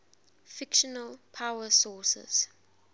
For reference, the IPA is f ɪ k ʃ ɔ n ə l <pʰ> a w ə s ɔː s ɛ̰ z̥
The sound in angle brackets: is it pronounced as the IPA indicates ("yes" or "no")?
yes